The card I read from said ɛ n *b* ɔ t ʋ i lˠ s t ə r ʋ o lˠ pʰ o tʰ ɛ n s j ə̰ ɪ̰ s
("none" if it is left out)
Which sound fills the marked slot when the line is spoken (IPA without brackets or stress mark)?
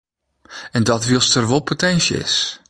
d